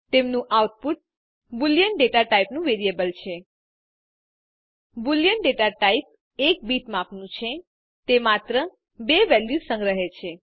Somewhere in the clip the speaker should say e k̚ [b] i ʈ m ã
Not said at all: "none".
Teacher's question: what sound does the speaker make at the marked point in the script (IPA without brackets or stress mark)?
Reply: b